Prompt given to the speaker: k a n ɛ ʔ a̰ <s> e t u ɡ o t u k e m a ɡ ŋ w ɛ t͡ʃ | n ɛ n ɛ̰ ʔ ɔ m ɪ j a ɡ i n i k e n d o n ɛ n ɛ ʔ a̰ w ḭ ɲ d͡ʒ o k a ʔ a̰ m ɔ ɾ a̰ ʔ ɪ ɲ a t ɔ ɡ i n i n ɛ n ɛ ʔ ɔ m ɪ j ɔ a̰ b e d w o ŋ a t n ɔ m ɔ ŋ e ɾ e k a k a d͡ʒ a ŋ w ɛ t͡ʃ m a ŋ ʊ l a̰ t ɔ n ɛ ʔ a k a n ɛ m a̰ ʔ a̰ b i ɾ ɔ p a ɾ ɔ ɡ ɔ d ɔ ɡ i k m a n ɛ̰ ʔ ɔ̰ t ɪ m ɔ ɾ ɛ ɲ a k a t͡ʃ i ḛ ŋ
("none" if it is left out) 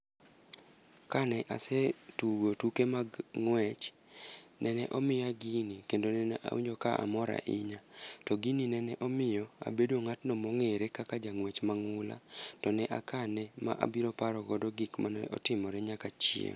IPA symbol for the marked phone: s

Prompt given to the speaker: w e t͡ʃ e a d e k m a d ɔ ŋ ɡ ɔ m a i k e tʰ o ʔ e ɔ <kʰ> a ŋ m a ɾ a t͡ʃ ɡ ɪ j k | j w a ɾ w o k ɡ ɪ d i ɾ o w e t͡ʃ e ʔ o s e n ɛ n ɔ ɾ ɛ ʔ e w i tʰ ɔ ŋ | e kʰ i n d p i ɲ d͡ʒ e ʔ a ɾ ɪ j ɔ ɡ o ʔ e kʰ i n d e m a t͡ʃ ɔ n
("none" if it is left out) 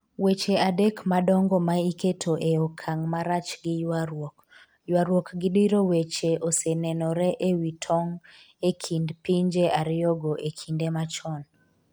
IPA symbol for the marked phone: kʰ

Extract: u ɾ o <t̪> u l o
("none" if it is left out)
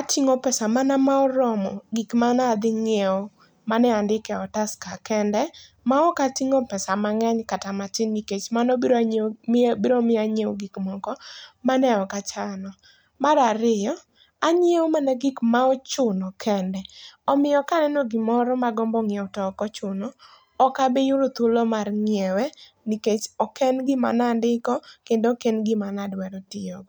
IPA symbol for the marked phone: t̪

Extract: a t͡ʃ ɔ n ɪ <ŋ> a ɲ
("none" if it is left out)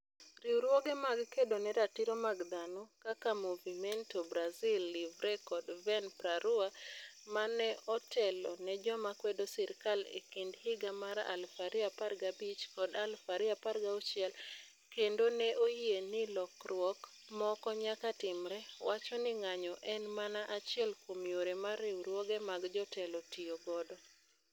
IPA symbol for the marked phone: ŋ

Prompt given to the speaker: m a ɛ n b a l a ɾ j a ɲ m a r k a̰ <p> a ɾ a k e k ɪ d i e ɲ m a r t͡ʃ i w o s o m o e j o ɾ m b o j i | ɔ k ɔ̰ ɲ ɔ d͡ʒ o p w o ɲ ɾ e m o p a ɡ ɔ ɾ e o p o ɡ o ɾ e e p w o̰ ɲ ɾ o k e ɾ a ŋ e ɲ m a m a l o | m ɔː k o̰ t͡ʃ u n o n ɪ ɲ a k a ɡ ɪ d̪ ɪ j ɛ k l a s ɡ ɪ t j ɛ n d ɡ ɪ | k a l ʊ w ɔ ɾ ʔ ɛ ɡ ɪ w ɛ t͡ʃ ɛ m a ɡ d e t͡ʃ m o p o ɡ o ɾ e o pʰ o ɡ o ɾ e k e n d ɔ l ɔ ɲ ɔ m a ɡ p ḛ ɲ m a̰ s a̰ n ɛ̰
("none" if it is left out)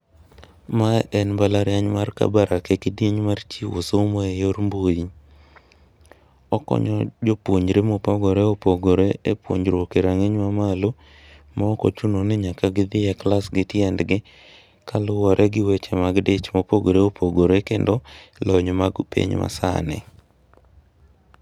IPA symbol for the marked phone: b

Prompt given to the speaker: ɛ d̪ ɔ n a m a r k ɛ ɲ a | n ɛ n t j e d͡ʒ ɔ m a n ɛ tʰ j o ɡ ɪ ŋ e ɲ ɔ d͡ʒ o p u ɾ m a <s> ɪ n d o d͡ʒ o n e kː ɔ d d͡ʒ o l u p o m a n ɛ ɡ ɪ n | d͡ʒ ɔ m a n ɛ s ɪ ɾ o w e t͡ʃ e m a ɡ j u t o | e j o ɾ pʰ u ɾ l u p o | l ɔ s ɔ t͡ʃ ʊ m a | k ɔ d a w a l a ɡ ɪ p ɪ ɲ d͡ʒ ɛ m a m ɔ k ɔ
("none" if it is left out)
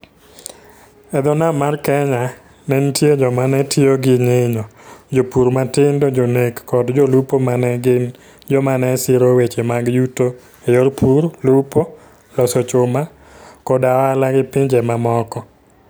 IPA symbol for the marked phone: t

